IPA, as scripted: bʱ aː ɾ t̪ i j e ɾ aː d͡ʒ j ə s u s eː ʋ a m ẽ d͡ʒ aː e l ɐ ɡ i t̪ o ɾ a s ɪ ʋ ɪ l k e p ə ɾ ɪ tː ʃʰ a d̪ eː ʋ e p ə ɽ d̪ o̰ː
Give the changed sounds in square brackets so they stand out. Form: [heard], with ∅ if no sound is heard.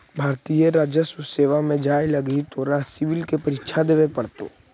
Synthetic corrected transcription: bʱ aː ɾ t̪ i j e ɾ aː d͡ʒ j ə s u s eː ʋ a m ẽ d͡ʒ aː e l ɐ ɡ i t̪ o ɾ a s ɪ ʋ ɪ l k e p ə ɾ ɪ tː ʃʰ a d̪ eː ʋ e p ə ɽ [t̪] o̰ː